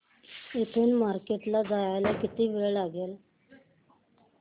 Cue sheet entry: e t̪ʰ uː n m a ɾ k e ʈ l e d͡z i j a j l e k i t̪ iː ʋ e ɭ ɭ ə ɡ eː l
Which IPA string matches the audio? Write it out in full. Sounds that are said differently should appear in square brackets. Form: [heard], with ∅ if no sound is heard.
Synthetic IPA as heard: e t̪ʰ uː n m a ɾ k e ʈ l [a] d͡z [a] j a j l [a] k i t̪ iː ʋ e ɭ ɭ [a] ɡ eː l